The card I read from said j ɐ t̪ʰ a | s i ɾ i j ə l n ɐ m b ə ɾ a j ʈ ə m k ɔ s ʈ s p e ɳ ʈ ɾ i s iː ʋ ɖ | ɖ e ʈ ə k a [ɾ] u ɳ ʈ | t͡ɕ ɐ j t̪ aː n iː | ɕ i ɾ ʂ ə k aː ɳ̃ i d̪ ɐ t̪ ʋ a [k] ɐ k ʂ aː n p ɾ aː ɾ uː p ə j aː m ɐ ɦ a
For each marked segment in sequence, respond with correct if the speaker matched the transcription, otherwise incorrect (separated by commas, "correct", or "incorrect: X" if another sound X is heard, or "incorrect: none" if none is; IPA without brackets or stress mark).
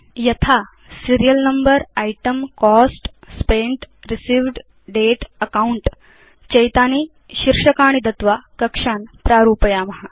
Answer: incorrect: none, correct